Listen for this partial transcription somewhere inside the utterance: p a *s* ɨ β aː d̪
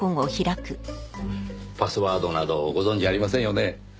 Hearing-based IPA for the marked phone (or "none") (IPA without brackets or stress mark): s